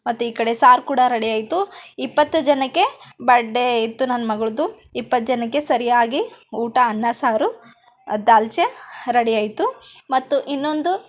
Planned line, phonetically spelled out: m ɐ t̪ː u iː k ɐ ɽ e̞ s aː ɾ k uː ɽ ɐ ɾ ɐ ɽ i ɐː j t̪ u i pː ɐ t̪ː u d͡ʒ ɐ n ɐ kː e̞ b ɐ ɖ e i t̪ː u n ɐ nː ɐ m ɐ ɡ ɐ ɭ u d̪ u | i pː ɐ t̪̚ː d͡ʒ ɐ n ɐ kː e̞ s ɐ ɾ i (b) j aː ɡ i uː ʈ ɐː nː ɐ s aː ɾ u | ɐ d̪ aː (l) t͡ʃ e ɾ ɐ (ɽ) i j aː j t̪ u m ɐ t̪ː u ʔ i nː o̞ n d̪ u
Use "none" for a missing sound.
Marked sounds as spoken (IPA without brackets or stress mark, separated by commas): none, l, ɽ